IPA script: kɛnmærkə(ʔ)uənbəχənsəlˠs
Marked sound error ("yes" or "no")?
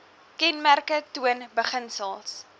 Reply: yes